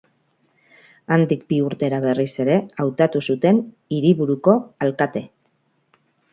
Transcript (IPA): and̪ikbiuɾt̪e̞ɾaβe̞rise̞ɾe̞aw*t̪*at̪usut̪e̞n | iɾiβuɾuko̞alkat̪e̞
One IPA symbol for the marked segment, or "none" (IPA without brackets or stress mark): t̪